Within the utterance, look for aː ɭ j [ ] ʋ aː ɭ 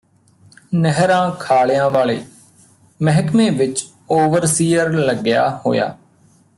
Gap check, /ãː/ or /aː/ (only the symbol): ãː